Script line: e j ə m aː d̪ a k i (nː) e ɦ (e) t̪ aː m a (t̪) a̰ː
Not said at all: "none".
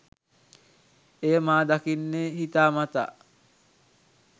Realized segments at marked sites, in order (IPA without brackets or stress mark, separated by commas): nː, i, t̪